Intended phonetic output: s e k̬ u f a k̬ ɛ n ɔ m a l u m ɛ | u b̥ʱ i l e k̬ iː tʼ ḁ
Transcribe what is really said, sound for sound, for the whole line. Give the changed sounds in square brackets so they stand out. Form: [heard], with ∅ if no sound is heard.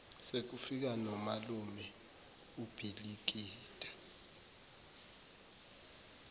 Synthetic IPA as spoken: s e k̬ u f [i] k̬ [a] n ɔ m a l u m ɛ | u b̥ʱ i l [i] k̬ iː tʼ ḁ